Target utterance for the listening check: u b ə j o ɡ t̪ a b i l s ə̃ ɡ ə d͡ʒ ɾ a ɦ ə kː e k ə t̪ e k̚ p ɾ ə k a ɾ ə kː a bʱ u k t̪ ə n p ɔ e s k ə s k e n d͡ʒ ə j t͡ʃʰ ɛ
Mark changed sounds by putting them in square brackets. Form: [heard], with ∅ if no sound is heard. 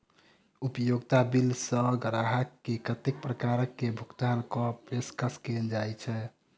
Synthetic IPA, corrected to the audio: u [p] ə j o ɡ t̪ a b i l s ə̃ ɡ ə [∅] ɾ a ɦ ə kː e k ə t̪ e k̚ p ɾ ə k a ɾ ə kː [e] bʱ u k t̪ [a] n [k] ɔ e s k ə s k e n d͡ʒ [a] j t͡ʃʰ ɛ